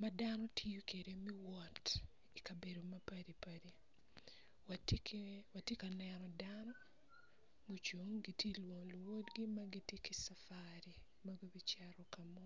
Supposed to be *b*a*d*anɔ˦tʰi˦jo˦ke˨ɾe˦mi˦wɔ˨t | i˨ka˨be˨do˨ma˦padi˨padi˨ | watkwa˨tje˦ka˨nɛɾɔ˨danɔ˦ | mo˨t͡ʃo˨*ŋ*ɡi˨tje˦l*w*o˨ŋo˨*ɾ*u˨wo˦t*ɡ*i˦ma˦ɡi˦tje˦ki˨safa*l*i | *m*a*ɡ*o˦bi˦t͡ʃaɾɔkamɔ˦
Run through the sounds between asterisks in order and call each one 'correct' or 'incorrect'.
incorrect: m, correct, correct, correct, incorrect: l, correct, incorrect: ɾ, correct, correct

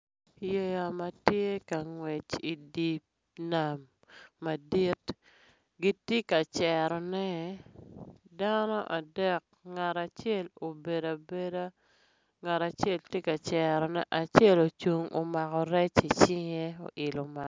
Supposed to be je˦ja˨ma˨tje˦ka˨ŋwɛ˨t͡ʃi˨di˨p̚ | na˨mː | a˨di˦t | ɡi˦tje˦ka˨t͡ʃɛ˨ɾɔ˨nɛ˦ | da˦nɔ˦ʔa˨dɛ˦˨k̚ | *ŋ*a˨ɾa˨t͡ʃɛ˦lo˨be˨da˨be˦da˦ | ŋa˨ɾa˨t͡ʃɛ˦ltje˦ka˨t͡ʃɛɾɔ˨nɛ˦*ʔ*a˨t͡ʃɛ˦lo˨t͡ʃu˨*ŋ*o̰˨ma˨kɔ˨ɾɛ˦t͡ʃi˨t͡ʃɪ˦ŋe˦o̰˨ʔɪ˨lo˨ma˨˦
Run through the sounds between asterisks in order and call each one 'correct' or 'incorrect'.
correct, correct, correct

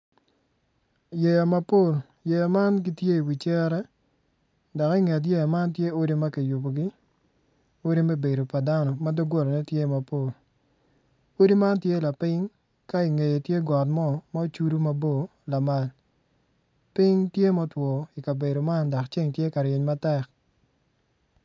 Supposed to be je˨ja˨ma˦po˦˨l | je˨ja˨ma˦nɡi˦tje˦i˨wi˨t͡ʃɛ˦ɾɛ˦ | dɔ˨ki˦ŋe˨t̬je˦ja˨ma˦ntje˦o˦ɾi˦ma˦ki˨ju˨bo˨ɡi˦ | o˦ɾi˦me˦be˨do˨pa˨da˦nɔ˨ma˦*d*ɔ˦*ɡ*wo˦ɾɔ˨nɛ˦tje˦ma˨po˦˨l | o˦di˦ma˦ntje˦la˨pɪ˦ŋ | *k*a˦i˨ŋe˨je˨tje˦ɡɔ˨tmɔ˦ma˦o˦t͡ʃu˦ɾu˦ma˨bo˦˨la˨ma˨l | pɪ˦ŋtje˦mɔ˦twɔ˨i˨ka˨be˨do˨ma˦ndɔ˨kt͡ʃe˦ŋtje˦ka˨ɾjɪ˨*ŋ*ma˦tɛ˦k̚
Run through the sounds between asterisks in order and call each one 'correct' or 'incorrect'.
correct, correct, correct, incorrect: ɲ

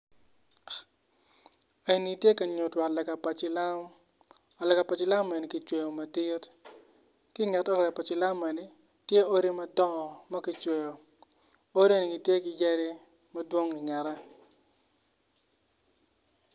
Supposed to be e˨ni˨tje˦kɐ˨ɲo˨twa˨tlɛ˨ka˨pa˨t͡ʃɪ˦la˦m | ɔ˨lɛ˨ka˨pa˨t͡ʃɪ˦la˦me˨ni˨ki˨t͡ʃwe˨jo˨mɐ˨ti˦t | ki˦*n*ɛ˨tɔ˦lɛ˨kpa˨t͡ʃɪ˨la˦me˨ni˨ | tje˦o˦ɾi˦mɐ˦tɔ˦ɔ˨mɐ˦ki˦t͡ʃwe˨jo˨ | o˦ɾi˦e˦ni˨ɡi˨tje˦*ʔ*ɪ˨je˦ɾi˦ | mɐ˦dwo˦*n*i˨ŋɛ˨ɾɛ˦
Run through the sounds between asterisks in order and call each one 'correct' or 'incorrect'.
incorrect: ŋ, incorrect: k, incorrect: ŋ

